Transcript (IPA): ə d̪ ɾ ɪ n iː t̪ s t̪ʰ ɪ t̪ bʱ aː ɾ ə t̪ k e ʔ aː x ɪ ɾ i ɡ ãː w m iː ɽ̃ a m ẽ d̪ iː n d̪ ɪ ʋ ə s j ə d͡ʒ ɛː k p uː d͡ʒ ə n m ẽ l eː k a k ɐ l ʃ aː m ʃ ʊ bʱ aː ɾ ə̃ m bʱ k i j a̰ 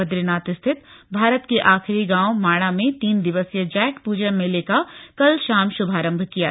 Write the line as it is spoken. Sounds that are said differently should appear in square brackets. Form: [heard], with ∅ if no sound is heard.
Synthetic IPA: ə d̪ ɾ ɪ n [aː] t̪ s t̪ʰ ɪ t̪ bʱ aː ɾ ə t̪ k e ʔ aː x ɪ ɾ i ɡ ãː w m [aː] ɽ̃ a m ẽ [t̪] iː n d̪ ɪ ʋ ə s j ə d͡ʒ ɛː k p uː d͡ʒ ə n m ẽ l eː k a k ɐ l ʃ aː m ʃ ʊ bʱ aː ɾ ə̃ m bʱ k i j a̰